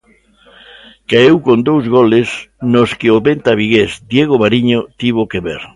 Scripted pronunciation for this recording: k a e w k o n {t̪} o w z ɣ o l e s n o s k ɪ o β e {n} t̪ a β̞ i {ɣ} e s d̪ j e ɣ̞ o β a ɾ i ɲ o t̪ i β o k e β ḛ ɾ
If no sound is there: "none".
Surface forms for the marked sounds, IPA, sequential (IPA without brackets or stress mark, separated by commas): d̪, n, ɣ